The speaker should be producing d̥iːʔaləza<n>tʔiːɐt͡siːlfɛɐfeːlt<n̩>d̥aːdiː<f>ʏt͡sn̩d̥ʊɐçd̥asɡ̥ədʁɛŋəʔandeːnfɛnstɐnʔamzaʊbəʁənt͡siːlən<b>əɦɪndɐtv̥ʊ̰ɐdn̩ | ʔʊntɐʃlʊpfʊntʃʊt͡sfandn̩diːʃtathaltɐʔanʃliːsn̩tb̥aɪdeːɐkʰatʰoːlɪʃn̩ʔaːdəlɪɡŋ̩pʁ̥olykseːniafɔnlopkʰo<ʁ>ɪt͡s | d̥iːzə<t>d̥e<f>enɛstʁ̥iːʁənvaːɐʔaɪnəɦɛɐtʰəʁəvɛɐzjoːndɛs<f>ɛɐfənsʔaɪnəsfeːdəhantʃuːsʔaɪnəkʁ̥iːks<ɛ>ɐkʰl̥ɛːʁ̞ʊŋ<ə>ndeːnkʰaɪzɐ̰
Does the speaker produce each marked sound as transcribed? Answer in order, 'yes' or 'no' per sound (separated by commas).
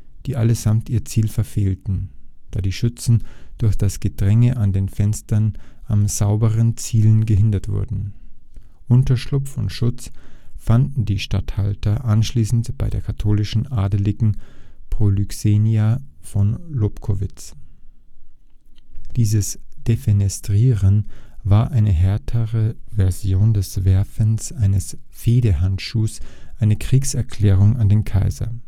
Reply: no, yes, no, no, no, no, yes, no, yes, no